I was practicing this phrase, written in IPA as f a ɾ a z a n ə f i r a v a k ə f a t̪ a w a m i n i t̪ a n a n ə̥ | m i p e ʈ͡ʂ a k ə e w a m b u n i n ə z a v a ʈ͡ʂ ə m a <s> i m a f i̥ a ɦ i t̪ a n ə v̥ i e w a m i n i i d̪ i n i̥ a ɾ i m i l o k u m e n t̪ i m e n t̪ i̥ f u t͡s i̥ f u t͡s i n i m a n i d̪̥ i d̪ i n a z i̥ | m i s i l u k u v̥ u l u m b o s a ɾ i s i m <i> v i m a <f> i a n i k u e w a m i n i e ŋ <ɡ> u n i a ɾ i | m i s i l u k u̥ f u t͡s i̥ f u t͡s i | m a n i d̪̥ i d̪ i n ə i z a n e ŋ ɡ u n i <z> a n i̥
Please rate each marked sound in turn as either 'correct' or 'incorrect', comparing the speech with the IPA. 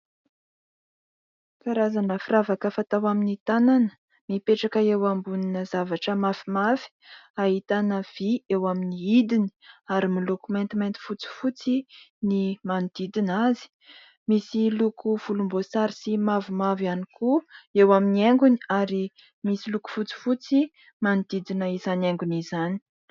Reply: incorrect: f, incorrect: a, incorrect: v, correct, correct

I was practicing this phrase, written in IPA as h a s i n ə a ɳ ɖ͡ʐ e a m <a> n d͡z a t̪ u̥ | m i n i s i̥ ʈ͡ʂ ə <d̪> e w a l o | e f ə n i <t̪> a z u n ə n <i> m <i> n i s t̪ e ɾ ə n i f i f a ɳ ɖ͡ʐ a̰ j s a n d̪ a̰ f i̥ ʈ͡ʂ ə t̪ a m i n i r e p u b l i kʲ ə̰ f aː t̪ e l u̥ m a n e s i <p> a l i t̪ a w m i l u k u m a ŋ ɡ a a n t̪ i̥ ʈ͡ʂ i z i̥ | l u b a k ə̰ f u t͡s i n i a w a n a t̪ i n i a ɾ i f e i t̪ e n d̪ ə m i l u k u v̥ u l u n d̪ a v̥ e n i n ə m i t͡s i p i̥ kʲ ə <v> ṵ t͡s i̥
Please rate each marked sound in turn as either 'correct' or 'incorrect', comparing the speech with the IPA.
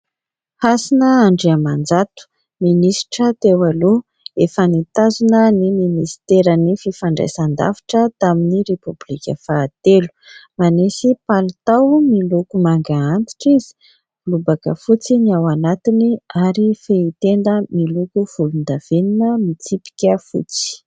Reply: correct, incorrect: t̪, correct, correct, correct, correct, incorrect: f

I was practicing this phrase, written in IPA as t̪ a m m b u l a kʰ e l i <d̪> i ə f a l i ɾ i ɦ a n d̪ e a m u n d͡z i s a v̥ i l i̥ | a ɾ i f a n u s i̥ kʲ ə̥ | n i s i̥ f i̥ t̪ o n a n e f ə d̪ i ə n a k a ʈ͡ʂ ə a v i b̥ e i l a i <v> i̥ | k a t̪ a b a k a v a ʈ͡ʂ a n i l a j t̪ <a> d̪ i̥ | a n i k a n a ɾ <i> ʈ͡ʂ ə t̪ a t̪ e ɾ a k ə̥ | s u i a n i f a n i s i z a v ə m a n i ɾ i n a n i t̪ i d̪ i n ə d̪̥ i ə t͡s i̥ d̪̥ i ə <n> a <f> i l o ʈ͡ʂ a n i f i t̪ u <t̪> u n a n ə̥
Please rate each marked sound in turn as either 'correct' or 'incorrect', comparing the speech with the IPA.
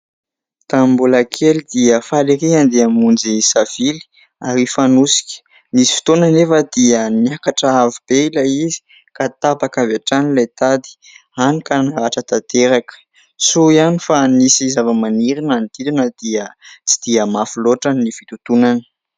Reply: correct, incorrect: z, correct, incorrect: a, incorrect: m, correct, correct

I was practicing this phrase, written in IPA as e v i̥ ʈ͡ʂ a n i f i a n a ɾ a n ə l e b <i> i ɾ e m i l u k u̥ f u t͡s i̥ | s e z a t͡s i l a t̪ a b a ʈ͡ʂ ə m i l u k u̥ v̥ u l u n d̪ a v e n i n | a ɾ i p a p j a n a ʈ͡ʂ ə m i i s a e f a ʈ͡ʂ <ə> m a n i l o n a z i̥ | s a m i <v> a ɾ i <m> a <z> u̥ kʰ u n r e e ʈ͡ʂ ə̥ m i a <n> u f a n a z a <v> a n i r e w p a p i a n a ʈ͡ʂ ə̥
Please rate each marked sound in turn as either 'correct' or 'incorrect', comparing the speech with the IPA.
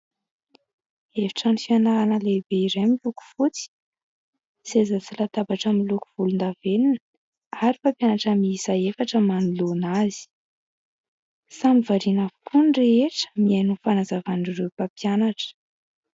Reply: incorrect: e, correct, correct, incorrect: n, incorrect: v, correct, correct

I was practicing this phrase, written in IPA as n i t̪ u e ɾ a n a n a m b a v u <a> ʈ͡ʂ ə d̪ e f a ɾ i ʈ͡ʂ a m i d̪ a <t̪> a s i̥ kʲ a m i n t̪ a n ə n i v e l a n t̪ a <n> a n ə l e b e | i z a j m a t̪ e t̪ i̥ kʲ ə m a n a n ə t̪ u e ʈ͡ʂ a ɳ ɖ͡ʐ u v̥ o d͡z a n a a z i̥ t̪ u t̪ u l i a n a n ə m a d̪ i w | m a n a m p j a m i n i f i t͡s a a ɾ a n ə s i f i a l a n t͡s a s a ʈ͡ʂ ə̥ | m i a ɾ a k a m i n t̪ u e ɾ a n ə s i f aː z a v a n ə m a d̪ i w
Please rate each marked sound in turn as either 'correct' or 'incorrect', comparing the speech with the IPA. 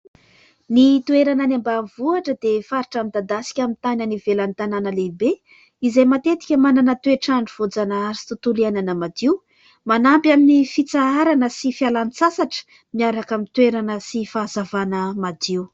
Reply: correct, incorrect: d̪, correct

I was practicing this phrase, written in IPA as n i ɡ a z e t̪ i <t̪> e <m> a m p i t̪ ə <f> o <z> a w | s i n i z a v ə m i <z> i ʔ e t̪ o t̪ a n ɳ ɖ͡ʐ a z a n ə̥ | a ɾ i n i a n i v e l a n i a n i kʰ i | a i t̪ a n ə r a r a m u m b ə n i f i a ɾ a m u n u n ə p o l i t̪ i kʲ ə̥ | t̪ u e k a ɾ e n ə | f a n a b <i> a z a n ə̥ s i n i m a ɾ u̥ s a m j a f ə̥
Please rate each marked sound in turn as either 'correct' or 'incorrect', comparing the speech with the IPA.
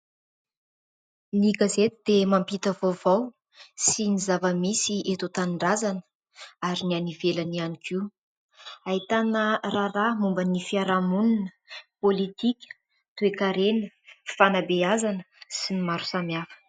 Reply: incorrect: d̪, correct, incorrect: v, incorrect: v, incorrect: s, incorrect: e

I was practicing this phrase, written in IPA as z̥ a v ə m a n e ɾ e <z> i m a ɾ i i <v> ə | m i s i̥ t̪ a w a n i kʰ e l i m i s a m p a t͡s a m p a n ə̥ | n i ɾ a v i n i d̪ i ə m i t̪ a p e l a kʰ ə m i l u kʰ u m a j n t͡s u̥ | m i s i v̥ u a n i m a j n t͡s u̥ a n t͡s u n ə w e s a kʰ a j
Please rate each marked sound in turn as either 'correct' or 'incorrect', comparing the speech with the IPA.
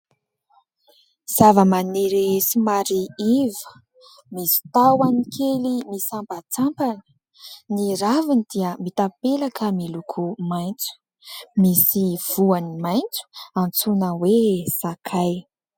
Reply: incorrect: s, correct

